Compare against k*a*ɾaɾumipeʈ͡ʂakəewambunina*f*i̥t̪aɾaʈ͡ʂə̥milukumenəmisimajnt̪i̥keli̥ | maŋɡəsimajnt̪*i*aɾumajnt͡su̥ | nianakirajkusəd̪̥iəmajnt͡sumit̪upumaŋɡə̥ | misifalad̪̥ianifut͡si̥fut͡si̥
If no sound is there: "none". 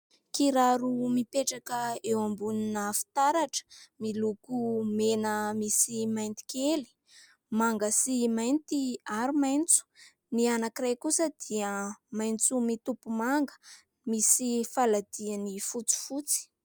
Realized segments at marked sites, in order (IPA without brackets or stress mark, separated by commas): i, f, i